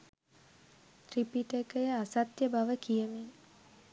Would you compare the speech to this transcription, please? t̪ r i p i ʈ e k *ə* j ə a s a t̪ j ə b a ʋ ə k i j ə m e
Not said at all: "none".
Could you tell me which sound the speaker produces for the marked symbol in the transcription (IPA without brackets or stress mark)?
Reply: ə